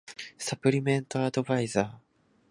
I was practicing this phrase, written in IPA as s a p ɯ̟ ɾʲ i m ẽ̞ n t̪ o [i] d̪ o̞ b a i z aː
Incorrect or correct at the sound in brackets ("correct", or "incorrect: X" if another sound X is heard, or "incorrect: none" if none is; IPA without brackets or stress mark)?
incorrect: a